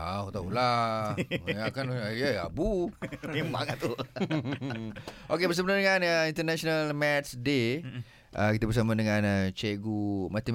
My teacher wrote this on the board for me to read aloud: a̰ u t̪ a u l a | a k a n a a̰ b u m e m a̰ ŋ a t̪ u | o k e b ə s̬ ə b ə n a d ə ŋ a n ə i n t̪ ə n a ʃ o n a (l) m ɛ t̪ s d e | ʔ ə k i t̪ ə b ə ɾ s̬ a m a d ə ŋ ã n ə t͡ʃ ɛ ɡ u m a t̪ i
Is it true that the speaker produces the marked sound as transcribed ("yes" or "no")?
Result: yes